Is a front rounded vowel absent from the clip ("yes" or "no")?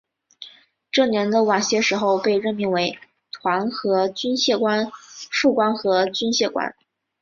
no